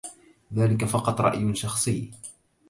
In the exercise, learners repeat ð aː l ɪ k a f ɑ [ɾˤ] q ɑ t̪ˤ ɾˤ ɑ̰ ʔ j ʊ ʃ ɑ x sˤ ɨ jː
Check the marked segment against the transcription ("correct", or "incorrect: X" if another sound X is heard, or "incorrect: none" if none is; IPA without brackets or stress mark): incorrect: none